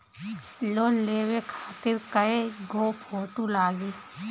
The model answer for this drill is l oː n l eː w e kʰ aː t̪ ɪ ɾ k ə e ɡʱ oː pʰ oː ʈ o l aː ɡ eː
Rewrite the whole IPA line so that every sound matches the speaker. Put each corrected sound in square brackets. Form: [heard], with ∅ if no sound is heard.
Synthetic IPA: l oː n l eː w e kʰ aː t̪ ɪ ɾ k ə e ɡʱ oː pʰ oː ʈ [u] l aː ɡ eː